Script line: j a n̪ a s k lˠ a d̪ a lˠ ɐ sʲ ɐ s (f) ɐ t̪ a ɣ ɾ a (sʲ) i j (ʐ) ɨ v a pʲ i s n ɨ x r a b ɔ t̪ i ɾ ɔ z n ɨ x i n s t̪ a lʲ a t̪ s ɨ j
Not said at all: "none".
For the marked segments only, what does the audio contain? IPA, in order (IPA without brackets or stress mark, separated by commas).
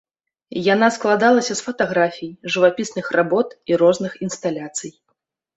f, fʲ, ʐ